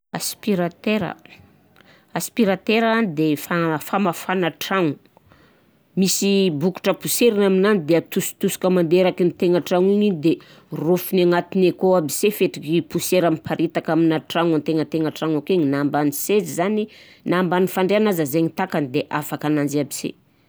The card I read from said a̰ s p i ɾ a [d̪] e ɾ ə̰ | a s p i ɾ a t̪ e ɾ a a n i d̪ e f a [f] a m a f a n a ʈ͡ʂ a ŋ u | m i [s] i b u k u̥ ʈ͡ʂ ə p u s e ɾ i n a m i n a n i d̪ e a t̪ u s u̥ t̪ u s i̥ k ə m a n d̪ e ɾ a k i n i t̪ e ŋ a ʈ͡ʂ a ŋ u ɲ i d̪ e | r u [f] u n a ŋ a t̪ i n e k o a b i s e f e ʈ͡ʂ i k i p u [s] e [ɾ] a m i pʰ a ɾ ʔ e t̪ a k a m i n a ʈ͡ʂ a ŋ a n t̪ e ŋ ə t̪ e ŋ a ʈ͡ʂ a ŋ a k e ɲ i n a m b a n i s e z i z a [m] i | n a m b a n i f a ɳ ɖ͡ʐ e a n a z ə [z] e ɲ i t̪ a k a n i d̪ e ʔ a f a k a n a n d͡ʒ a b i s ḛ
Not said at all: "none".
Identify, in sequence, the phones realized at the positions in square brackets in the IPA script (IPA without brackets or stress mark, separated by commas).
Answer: t̪, f, s, f, s, ɾ, n, z